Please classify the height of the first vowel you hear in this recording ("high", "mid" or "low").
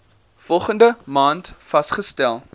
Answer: mid